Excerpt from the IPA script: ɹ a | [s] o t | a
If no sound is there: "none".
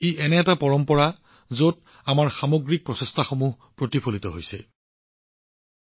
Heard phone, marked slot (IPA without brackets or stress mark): z